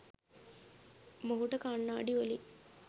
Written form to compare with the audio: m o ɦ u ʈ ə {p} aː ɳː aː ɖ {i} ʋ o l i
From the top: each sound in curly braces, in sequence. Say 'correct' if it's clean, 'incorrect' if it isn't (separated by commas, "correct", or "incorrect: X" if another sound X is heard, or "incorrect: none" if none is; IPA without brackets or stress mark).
incorrect: k, correct